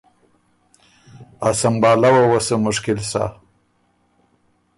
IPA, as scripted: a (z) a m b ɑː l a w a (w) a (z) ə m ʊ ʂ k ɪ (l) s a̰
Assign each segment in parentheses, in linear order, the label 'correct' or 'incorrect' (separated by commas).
incorrect, correct, incorrect, correct